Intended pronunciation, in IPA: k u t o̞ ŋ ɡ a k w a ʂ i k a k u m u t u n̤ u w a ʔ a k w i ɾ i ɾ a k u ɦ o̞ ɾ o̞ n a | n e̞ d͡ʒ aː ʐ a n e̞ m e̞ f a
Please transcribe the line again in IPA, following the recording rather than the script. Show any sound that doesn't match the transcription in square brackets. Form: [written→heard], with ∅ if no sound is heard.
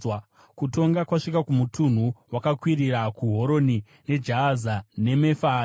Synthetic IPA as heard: k u t o̞ ŋ ɡ a k w a ʂ i k a k u m u t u n̤ u w a [ʔ→k] a k w i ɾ i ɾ a k u ɦ o̞ ɾ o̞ n [a→i] | n e̞ d͡ʒ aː [ʐ→z] a n e̞ m e̞ f a

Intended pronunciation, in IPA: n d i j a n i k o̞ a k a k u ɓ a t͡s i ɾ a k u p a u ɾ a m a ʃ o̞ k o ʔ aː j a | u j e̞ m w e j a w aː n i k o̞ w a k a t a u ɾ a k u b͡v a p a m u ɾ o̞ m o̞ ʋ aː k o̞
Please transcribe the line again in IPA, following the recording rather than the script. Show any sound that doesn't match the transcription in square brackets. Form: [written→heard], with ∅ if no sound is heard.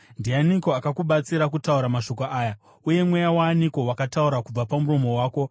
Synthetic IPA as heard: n d i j a n i k o̞ a k a k u ɓ a t͡s i ɾ a k u [p→t] a u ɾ a m a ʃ o̞ k o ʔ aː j a | u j e̞ m w e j a w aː n i k o̞ w a k a t a u ɾ a k u b͡v a p a m u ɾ o̞ m o̞ [ʋ→w] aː k o̞

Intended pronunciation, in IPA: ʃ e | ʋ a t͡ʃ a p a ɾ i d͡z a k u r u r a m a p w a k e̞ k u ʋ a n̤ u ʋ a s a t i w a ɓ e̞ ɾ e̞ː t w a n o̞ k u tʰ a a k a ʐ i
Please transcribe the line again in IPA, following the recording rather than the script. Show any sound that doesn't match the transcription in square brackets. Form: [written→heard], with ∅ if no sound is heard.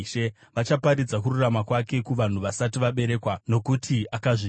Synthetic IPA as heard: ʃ e | ʋ a t͡ʃ a p a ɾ i d͡z a k u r u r a m a [p→k] w a k e̞ k u ʋ a n̤ u ʋ a s a t i [w→ʋ] a ɓ e̞ ɾ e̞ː [t→k] w a n o̞ k u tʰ [a→i] a k a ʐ i

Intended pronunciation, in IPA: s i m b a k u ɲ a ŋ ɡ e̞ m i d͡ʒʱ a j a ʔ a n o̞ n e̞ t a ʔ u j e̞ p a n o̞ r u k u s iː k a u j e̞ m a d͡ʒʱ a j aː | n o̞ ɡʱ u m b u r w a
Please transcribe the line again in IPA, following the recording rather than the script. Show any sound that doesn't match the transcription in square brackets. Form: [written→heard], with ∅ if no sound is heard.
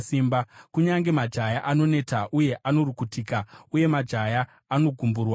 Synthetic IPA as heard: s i m b a k u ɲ a ŋ ɡ e̞ m [i→a] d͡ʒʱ a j a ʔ a n o̞ n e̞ t a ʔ u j e̞ [p→ʔ] a n o̞ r u k u [s→t] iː k a u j e̞ m a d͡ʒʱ a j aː | n o̞ ɡʱ u m b u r w a

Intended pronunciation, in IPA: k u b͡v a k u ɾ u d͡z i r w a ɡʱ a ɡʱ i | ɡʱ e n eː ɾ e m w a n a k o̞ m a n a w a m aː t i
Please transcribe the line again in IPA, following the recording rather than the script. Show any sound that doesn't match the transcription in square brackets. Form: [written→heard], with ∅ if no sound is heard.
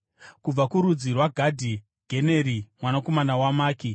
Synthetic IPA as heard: k u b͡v a k u ɾ u d͡z i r w a ɡʱ a [ɡʱ→dʱ] i | ɡʱ e n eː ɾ [e→i] m w a n a k o̞ m a n a w a m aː [t→k] i

